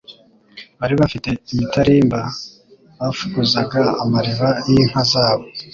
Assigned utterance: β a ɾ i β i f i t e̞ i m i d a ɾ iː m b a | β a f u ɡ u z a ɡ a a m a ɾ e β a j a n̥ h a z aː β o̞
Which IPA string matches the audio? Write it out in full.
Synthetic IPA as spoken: β a ɾ i β a f i t e̞ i m i t a ɾ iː m b a | β a f u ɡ u z a ɡ a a m a ɾ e β a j i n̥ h a z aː β o̞

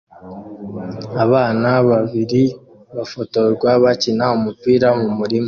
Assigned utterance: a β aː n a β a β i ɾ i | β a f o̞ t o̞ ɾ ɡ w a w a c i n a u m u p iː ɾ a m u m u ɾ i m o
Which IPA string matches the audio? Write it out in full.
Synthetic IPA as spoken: a β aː n a β a β i ɾ i | β a f o̞ t o̞ ɾ ɡ w a β a c i n a u m u p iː ɾ a m u m u ɾ i m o

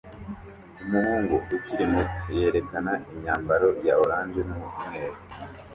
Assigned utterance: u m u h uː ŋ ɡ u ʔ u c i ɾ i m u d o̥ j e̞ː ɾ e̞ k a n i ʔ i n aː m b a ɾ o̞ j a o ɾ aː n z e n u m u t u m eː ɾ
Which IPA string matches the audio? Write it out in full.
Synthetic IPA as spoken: u m u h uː ŋ ɡ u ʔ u c i ɾ i m u t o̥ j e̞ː ɾ e̞ k a n a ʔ i ɲ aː m b a ɾ o̞ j a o ɾ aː n z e n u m u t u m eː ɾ

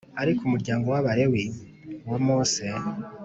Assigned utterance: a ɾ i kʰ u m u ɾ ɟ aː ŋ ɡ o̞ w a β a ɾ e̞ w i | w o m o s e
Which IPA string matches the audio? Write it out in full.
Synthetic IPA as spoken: a ɾ i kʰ u m u ɾ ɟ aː ŋ ɡ o̞ w a β a ɾ e̞ w i | w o m o s e

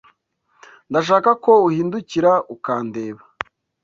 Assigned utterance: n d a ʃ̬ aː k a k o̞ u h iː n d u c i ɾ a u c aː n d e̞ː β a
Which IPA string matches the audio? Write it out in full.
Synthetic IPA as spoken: n d a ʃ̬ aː k a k o̞ u h iː n d u c i ɾ a u k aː n d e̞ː β a

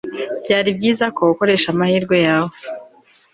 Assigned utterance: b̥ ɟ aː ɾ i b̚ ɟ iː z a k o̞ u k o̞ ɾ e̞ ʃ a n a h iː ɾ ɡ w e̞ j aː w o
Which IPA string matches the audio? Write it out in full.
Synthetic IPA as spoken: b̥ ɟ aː ɾ i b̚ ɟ iː z a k o̞ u k o̞ ɾ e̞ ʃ a m a h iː ɾ ɡ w e̞ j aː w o

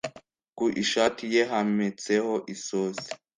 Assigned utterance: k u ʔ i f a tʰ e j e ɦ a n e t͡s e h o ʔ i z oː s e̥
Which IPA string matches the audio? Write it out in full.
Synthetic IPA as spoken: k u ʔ i ʃ a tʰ i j e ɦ a m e t͡s e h o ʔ i s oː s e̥

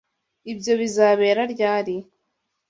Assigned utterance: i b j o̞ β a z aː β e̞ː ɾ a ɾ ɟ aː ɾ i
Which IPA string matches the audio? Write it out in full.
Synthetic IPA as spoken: i b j o̞ β i z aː β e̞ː ɾ a ɾ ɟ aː ɾ i

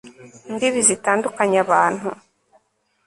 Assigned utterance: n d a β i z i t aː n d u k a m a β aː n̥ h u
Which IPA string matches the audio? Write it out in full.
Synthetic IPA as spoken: n d i β i z i t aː n d u k a ɲ a β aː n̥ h u

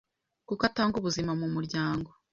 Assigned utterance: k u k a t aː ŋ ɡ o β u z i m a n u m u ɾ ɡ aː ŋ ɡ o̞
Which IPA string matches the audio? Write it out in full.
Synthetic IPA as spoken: k u k a t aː ŋ ɡ u β u z i m a m u m u ɾ ɟ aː ŋ ɡ o̞

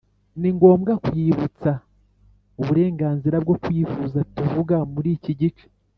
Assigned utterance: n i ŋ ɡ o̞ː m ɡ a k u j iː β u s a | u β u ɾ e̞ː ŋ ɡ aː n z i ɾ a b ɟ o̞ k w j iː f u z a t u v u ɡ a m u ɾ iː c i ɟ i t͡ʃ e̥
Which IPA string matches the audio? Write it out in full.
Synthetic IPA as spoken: n i ŋ ɡ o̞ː m ɡ a k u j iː β u t͡s a | u β u ɾ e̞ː ŋ ɡ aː n z i ɾ a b ɡ o̞ k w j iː f u z a t u v u ɡ a m u ɾ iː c i ɟ i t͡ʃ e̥

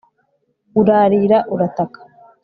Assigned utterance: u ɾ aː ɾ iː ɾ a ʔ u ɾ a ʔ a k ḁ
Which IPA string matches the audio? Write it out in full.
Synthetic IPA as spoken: u ɾ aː ɾ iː ɾ a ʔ u ɾ a t a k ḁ

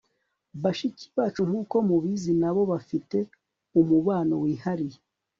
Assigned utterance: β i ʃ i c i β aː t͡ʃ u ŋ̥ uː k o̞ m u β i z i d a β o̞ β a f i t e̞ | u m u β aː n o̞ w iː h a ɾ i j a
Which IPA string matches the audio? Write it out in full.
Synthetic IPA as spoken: β a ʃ i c i β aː t͡ʃ u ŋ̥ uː k o̞ m u β i z i n a β o̞ β a f i t e̞ | u m u β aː n o̞ w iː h a ɾ i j e

